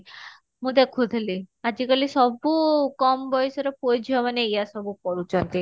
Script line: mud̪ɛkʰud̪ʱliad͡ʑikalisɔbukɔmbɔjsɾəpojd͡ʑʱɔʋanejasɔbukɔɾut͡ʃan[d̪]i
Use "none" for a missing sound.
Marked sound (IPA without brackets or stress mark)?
t̪